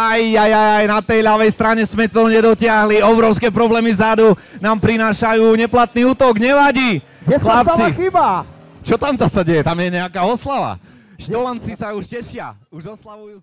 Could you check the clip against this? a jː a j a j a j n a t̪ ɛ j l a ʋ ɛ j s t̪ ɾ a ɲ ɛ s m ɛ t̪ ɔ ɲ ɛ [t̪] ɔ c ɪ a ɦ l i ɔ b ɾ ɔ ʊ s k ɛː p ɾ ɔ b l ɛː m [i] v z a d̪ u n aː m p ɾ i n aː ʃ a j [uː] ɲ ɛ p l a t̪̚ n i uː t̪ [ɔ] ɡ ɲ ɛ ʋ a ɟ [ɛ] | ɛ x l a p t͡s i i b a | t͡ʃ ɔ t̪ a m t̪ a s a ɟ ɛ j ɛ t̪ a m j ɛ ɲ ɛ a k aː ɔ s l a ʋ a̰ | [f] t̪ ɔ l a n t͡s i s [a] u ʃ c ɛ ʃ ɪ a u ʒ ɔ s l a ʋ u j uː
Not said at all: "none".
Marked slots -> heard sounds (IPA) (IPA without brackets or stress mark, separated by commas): d̪, i, uː, ɔ, i, ʃ, a